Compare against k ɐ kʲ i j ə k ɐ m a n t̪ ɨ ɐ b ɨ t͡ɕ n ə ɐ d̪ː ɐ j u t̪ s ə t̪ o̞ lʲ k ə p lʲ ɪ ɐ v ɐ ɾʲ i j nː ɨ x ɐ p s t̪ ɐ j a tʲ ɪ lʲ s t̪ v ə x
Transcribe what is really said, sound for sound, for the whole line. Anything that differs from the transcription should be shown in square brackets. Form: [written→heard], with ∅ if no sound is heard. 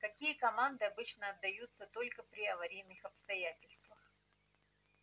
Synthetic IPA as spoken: k ɐ kʲ i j ə k ɐ m a n [t̪→d̪] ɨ ɐ b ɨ t͡ɕ n ə ɐ d̪ː ɐ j u t̪ s ə t̪ o̞ lʲ k ə p [lʲ→ɾʲ] ɪ ɐ v ɐ ɾʲ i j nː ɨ x ɐ p s t̪ ɐ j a tʲ ɪ lʲ s t̪ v ə x